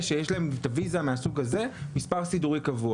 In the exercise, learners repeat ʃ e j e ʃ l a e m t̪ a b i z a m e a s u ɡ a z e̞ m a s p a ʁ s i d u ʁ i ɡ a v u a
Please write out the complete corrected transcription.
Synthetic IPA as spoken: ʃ e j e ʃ l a e m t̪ a v i z a m e a s u ɡ a z e̞ m i s p a ʁ s i d u ʁ i k a v u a